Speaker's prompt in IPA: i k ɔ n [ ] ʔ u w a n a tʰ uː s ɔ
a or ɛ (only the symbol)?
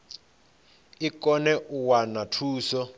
ɛ